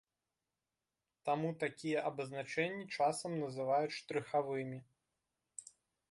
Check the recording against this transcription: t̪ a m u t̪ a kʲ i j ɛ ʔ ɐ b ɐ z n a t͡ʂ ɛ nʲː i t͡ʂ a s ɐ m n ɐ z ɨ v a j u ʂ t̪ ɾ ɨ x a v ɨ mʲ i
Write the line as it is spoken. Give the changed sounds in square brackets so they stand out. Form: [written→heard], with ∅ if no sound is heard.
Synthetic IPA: t̪ a m u t̪ a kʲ i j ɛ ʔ ɐ b ɐ z n a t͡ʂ ɛ nʲː i t͡ʂ a s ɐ m n ɐ z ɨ v a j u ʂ t̪ ɾ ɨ x a v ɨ mʲ i